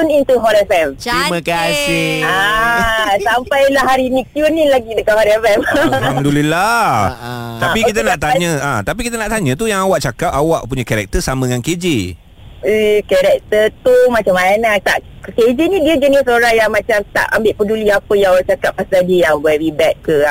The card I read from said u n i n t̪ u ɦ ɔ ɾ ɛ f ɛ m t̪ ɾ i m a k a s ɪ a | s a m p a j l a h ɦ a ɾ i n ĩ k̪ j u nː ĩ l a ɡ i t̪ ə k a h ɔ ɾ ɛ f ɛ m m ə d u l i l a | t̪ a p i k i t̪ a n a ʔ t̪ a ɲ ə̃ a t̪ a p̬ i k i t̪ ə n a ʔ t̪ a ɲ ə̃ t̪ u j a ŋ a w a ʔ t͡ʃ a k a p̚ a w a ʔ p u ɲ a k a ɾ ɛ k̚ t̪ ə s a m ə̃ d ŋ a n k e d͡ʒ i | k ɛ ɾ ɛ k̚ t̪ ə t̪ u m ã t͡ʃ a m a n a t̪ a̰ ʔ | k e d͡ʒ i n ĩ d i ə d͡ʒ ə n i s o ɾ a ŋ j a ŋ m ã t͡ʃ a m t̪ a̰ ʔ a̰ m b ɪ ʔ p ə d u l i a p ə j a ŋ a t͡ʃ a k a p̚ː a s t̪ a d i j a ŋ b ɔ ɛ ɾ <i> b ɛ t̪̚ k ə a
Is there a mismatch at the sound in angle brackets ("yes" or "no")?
no